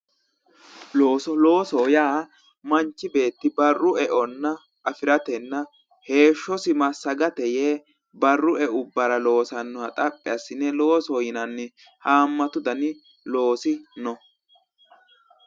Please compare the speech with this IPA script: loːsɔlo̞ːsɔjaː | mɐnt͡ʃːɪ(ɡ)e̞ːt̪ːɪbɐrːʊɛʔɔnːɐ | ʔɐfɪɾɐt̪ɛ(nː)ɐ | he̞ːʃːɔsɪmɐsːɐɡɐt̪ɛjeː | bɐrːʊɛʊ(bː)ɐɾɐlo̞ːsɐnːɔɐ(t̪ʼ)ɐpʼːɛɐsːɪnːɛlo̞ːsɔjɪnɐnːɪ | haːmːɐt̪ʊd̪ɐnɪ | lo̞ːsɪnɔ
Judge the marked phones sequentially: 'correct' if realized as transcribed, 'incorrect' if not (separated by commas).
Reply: incorrect, correct, correct, correct